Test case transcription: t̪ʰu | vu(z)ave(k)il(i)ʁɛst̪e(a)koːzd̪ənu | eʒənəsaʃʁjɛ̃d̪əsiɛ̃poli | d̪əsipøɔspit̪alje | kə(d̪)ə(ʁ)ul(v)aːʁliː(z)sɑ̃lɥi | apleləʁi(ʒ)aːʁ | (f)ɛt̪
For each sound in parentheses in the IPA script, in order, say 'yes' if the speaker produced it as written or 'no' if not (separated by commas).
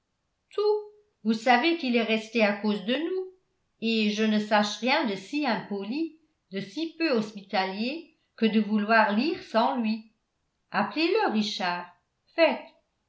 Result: no, yes, no, yes, yes, no, no, no, no, yes